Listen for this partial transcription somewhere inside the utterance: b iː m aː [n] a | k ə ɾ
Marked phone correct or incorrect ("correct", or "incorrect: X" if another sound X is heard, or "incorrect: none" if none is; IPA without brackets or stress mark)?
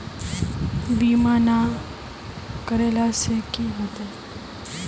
correct